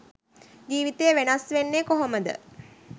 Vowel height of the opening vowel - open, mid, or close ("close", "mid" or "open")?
close